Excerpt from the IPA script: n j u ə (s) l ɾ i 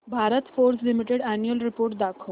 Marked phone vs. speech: incorrect: none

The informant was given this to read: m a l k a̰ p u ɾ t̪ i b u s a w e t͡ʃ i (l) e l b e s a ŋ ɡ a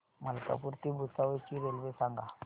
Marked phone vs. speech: incorrect: ɾ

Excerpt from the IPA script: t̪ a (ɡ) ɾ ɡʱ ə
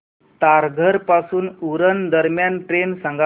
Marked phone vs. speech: incorrect: none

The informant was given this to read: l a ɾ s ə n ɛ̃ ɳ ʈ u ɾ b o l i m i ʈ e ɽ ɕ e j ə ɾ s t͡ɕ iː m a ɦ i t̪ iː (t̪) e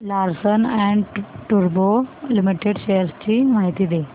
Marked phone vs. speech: incorrect: d̪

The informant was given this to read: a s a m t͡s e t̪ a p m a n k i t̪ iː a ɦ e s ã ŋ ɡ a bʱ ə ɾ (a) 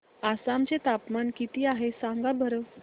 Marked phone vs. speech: incorrect: ə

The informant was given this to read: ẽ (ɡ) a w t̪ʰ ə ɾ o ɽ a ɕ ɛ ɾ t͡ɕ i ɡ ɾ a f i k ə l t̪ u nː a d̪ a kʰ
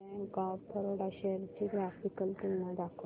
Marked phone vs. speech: correct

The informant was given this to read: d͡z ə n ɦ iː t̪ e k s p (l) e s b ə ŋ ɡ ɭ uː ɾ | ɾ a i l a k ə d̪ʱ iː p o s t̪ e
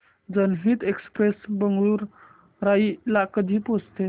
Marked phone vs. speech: incorrect: ɾ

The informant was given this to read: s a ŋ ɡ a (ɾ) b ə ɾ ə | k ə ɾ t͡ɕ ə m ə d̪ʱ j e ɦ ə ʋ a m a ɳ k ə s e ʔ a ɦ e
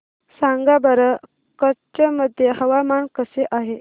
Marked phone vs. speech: incorrect: none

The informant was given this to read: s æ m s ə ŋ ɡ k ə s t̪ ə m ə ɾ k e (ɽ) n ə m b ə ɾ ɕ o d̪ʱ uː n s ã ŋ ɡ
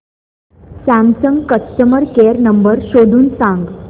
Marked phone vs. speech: incorrect: ɾ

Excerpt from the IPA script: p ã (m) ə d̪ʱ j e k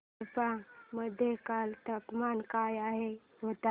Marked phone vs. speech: correct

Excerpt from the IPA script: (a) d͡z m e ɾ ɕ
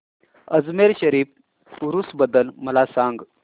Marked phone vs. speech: incorrect: ə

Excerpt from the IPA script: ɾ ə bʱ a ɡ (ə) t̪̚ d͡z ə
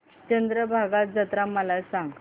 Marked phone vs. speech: incorrect: a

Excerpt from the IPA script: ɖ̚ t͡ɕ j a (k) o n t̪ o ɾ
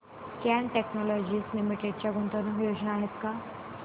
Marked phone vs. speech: incorrect: ɡ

